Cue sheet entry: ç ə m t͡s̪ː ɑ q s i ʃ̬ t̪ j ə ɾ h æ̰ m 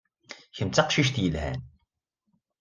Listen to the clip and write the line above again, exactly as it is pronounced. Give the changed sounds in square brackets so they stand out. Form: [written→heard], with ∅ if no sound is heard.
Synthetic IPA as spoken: ç ə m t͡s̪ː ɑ q [s→ʃ] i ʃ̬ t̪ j ə [ɾ→l] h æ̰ [m→n]